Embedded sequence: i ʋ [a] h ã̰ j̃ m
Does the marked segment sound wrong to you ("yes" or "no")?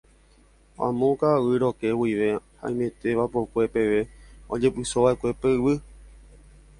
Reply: yes